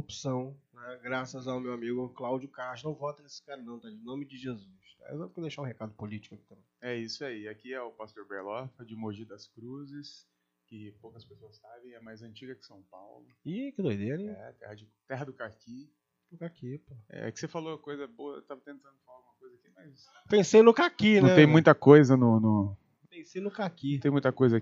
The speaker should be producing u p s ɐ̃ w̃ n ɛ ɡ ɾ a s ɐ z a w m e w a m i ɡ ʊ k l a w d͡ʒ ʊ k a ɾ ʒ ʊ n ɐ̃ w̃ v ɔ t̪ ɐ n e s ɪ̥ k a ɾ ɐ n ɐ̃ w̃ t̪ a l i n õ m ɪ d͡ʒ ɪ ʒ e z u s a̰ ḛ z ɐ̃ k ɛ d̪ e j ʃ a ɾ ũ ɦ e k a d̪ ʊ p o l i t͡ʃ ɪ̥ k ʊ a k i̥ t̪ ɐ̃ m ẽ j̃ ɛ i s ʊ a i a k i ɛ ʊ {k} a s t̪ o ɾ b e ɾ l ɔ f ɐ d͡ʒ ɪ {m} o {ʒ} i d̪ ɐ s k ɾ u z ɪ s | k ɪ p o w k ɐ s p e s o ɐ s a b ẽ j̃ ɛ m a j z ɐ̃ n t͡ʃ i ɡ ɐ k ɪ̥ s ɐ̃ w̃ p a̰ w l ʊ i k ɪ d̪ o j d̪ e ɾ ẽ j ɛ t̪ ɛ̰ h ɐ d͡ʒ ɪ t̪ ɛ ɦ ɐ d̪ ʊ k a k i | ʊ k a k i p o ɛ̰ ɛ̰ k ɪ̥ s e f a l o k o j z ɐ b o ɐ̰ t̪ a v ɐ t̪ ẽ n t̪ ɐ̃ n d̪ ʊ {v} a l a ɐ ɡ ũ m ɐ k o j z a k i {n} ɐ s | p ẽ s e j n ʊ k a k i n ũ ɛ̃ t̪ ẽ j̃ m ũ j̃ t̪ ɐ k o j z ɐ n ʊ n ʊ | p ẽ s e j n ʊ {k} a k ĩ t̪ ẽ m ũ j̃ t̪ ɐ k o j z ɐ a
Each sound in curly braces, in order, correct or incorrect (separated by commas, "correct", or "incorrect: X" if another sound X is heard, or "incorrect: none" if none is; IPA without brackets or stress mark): incorrect: p, correct, correct, incorrect: f, incorrect: m, correct